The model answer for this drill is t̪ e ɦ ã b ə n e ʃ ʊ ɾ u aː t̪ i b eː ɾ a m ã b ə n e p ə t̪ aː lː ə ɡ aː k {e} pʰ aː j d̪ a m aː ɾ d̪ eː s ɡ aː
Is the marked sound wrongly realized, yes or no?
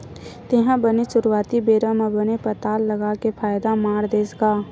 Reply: no